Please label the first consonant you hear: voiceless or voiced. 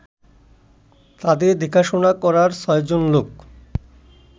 voiceless